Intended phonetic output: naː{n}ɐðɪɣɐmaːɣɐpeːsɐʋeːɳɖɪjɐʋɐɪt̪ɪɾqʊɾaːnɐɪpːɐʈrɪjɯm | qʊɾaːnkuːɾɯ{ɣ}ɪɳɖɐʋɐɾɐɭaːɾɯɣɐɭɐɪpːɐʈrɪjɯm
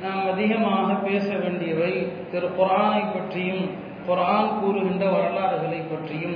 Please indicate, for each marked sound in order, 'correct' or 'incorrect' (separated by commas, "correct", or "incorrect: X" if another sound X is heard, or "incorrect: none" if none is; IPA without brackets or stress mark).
incorrect: m, correct